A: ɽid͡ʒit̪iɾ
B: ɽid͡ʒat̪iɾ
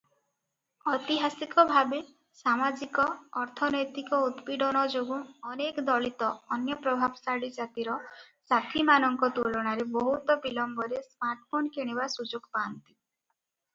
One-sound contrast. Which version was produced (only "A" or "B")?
B